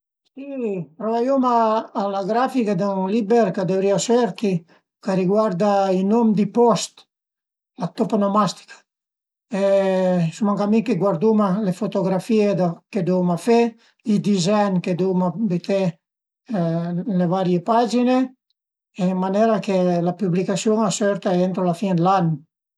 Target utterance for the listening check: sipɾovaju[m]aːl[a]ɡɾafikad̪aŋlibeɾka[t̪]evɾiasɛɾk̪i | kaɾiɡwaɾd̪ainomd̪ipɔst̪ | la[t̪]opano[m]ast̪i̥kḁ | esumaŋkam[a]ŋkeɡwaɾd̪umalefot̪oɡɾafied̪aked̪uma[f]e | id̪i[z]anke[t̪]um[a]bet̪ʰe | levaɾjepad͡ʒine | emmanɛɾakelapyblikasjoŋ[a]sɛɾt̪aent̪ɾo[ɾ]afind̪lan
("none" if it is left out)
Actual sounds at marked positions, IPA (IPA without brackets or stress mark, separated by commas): m, a, d̪, t̪, m, i, f, z, d̪, a, a, l